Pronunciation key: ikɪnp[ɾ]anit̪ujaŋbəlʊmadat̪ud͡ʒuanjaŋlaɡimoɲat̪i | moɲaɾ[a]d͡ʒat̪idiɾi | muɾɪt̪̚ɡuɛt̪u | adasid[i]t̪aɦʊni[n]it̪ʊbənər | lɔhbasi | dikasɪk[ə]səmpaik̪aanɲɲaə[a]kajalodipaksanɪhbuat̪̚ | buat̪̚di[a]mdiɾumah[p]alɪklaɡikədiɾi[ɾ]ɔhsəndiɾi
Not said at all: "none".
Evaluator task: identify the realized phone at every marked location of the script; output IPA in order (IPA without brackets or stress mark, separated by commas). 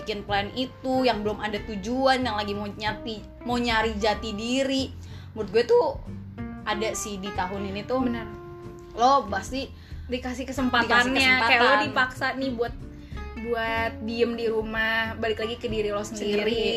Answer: l, i, i, n, ə, a, ə, b, l